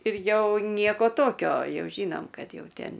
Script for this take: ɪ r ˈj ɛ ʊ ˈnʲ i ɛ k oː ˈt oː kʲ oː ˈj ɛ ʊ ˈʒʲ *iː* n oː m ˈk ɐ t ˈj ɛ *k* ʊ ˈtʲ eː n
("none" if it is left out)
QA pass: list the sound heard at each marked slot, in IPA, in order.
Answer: iː, none

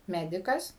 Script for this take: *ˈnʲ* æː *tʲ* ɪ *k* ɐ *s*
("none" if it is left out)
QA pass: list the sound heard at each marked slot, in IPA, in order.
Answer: mʲ, dʲ, k, s

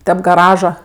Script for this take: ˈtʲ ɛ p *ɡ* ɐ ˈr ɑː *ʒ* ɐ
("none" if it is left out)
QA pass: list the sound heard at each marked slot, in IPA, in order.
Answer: ɡ, ʒ

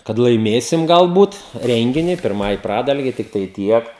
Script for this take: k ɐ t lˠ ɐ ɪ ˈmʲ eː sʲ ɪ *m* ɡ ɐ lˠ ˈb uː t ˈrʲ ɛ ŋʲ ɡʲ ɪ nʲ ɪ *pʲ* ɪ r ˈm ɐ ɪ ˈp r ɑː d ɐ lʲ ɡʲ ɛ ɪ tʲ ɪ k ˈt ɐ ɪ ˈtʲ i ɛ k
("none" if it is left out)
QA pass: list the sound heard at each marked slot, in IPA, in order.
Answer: m, pʲ

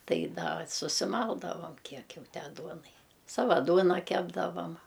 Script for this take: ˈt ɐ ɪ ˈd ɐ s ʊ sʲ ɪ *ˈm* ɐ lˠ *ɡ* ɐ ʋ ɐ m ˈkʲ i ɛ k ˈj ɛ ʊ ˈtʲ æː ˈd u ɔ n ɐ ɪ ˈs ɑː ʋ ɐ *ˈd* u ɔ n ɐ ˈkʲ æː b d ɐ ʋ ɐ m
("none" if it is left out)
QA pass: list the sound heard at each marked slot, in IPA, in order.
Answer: m, d, d

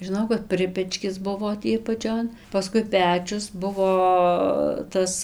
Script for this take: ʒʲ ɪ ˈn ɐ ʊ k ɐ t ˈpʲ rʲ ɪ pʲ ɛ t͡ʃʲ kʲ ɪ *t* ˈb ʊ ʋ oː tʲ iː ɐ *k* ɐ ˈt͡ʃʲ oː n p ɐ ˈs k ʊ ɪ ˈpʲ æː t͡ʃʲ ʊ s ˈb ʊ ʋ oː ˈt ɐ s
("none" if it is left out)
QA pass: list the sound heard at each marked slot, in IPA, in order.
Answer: s, p

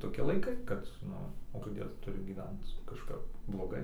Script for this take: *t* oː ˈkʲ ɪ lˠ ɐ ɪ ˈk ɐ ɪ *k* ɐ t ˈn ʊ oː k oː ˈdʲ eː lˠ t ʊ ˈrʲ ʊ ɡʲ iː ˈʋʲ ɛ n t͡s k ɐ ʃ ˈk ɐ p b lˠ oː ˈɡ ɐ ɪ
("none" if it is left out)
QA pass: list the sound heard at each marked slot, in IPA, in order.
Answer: t, k

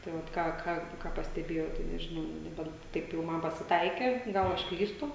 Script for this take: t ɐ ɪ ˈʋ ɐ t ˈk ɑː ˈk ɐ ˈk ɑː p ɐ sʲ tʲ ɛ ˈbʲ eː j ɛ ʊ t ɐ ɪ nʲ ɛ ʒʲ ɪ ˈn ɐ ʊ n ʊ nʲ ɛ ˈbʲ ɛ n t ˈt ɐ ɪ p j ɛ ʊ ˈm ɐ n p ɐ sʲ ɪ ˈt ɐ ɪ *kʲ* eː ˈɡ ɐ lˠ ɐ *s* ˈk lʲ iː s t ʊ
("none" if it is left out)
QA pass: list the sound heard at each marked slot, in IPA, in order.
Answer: kʲ, ʃ

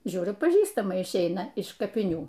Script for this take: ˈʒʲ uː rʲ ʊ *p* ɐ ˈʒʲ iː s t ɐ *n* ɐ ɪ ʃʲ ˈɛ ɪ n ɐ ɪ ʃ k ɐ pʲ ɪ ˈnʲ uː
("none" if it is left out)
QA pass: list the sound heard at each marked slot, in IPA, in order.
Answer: p, m

